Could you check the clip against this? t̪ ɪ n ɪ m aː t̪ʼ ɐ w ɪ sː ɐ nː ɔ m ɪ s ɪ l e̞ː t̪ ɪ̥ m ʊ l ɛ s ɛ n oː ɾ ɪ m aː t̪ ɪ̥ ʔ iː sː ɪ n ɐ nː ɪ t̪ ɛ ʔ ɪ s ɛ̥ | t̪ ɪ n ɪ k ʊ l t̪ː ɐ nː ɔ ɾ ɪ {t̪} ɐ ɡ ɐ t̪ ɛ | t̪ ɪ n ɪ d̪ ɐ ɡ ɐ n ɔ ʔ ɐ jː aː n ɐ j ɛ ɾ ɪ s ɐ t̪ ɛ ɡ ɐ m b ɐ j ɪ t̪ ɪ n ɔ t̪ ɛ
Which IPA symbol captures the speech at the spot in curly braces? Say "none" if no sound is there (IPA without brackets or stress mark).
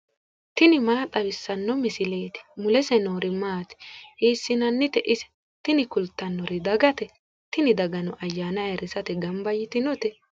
d̪